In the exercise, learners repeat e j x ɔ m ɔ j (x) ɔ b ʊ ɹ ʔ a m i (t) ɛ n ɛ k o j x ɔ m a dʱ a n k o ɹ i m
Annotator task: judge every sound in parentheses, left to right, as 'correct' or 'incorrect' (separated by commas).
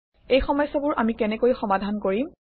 incorrect, incorrect